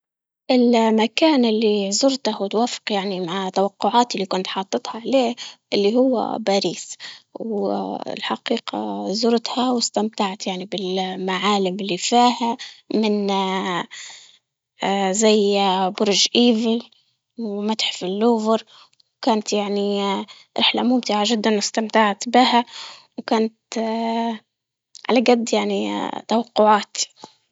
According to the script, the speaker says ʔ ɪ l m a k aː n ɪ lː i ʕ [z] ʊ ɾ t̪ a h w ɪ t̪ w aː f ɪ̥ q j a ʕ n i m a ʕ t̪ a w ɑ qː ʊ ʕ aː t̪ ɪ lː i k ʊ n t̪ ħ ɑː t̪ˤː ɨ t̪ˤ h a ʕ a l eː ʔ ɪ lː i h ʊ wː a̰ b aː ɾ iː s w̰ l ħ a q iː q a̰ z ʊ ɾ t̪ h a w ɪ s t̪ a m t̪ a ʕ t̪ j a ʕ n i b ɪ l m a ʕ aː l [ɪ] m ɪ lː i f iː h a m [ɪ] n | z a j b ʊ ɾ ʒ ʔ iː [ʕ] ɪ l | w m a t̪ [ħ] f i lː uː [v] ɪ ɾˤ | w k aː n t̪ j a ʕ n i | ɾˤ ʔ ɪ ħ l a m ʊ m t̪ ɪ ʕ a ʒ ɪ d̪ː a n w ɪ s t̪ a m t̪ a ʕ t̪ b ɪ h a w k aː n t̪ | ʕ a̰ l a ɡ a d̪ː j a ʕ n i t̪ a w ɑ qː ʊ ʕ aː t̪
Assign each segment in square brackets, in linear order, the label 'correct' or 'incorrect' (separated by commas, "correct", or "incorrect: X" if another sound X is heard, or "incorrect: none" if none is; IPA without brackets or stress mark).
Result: correct, correct, correct, incorrect: v, correct, correct